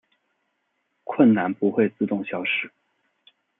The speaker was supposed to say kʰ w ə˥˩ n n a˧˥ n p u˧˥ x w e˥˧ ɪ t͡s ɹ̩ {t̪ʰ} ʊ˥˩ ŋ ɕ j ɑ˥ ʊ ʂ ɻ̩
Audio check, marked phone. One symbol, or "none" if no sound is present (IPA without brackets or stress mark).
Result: t̪